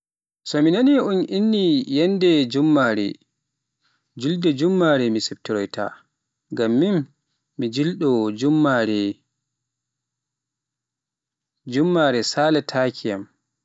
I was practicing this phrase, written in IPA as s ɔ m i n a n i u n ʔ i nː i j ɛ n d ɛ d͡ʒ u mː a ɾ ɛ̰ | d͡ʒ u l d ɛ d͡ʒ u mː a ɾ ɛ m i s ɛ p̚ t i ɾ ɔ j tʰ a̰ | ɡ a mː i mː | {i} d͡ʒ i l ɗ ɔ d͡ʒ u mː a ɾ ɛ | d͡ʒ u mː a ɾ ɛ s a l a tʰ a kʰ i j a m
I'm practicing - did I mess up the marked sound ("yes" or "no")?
no